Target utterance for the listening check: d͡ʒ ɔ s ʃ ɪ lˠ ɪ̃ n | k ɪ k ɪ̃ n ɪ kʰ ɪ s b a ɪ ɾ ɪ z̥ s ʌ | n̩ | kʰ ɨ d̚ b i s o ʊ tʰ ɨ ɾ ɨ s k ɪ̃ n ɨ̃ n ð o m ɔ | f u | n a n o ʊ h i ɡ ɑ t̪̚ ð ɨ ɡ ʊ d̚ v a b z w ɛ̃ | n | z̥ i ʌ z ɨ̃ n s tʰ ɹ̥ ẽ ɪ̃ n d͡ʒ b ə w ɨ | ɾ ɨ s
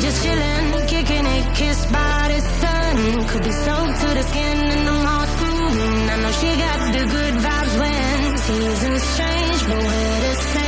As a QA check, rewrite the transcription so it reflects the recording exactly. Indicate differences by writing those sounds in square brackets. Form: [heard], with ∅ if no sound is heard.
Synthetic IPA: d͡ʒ [ʌ] s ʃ ɪ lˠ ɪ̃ n | k ɪ k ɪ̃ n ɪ kʰ ɪ s b a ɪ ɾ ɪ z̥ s ʌ | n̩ | kʰ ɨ d̚ b i s o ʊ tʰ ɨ ɾ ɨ s k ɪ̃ n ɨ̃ n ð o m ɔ | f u | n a n o ʊ [ʃ] i ɡ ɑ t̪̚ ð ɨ ɡ ʊ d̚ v a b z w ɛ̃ | n | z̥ i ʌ z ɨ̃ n s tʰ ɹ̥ ẽ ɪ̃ n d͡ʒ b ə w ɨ | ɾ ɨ s